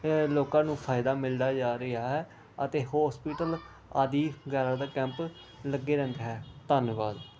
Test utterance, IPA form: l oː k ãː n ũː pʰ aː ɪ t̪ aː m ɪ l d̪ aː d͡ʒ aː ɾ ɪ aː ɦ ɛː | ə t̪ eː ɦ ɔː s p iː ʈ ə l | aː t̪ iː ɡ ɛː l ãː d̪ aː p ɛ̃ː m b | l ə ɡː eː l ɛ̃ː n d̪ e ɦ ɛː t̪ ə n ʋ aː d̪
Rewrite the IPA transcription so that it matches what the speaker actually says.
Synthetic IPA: l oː k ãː n ũː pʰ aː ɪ d̪ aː m ɪ l d̪ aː d͡ʒ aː ɾ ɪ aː ɦ ɛː | ə t̪ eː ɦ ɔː s p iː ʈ ə l | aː d̪ iː ɡ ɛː ɾ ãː d̪ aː k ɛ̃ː m p | l ə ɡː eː ɾ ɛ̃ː n d̪ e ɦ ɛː t̪ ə n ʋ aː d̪